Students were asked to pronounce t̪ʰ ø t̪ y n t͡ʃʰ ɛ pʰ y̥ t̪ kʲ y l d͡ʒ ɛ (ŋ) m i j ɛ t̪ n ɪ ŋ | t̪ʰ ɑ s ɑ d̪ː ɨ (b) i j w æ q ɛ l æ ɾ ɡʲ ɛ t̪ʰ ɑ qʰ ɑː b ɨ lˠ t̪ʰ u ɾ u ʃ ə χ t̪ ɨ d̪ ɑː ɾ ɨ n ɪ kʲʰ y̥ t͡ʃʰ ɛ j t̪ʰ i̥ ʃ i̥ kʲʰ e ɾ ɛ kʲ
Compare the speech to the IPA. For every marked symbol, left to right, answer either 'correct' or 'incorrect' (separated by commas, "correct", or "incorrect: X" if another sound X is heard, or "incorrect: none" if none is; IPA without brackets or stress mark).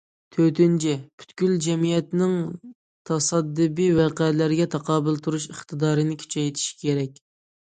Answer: incorrect: none, correct